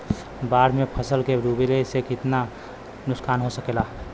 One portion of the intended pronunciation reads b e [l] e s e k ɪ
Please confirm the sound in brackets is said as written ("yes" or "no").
yes